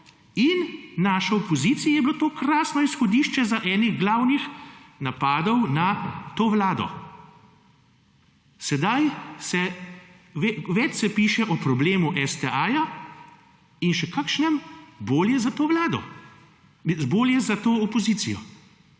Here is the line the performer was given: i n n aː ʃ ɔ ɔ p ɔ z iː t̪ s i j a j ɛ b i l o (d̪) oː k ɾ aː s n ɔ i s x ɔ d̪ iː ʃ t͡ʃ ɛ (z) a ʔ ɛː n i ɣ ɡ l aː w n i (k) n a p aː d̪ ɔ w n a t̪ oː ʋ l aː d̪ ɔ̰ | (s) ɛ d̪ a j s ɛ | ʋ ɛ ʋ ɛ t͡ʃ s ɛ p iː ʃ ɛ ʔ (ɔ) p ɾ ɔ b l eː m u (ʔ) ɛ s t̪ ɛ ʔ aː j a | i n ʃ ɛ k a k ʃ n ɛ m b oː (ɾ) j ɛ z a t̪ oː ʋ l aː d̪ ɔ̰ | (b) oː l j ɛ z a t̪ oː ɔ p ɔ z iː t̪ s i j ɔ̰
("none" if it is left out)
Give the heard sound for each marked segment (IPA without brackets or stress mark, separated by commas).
t̪, z, x, s, ɔ, ʔ, l, b